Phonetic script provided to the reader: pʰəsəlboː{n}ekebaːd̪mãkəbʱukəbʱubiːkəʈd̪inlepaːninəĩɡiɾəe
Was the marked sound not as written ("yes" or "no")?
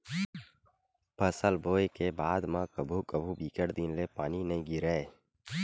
yes